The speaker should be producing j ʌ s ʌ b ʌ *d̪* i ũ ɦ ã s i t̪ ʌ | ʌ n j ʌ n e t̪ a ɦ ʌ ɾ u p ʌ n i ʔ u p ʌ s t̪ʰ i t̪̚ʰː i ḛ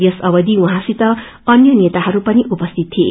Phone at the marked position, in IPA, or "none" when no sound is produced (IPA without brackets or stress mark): d̪